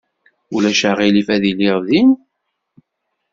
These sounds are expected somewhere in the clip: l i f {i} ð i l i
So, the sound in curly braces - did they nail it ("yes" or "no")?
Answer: no